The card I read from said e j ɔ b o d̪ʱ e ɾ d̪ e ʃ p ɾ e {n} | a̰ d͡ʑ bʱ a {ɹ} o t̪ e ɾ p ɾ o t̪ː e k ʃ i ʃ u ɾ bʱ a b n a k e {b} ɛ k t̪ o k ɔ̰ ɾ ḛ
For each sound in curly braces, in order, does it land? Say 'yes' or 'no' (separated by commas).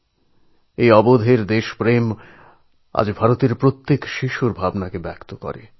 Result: no, no, yes